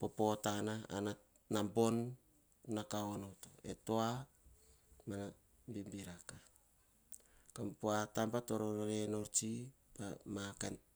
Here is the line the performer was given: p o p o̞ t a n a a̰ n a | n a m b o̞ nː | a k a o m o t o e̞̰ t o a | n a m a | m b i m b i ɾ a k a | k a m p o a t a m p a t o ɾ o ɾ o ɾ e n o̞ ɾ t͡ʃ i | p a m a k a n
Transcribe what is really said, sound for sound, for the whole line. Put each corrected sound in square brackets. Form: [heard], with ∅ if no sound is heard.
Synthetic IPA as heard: p o p o̞ t a n a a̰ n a | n a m b o̞ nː | a k a o [n] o t o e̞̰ t o a | [m] a [n] a | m b i m b i ɾ a k a | k a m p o a t a m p a t o ɾ o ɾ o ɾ e n o̞ ɾ t͡ʃ i | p a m a k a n